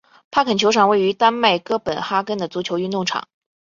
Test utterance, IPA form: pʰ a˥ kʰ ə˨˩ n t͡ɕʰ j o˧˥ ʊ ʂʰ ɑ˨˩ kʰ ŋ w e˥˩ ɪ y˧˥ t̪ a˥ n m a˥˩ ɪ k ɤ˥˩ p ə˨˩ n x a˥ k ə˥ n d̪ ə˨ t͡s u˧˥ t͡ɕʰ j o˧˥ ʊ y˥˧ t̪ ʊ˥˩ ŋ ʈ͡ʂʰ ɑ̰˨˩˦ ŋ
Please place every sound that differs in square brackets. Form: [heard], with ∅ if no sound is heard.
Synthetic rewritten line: pʰ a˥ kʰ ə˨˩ n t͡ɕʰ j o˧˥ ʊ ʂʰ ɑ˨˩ [∅] ŋ w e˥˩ ɪ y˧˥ t̪ a˥ n m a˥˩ ɪ k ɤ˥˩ p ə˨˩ n x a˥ k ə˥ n d̪ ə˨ t͡s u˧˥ t͡ɕʰ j o˧˥ ʊ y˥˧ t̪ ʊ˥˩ ŋ ʈ͡ʂʰ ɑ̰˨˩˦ ŋ